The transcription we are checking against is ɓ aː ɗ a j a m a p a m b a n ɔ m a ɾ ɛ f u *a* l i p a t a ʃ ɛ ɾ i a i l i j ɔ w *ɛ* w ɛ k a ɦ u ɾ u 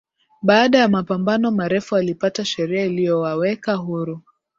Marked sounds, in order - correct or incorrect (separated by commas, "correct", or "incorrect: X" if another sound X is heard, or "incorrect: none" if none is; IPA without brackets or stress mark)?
correct, incorrect: a